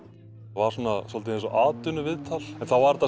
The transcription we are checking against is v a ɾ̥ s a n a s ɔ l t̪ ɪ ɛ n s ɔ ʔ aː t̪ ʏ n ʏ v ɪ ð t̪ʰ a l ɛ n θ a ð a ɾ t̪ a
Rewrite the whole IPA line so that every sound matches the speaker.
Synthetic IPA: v a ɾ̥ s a n a s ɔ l t̪ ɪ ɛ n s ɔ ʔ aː t̪ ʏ n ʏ v ɪ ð t̪ʰ a l ɛ n θ a v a ɾ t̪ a